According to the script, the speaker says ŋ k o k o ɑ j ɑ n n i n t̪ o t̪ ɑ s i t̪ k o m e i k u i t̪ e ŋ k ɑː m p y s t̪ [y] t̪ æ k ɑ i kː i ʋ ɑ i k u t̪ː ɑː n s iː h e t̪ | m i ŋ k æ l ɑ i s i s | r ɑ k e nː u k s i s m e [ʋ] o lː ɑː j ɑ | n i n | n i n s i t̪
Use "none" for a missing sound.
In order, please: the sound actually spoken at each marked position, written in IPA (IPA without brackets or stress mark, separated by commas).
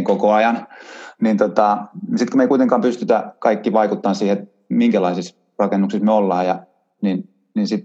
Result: y, none